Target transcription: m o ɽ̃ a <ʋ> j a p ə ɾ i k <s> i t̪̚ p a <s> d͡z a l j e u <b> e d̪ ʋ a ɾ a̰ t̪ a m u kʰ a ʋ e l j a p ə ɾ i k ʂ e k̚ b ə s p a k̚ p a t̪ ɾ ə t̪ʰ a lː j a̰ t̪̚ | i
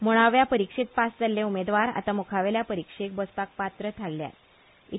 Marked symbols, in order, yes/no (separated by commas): yes, no, yes, no